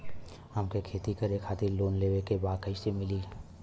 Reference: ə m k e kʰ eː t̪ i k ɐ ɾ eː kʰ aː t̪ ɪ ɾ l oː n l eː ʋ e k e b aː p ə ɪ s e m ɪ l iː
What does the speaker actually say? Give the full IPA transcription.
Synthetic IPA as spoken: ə m k e kʰ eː t̪ i k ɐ ɾ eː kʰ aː t̪ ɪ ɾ l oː n l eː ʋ e k e b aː k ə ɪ s e m ɪ l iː